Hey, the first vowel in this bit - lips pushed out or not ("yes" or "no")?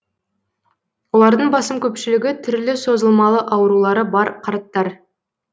yes